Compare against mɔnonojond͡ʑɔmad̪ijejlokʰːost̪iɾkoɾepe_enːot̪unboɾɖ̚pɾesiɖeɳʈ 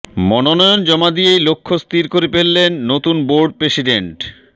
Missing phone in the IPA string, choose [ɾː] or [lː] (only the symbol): lː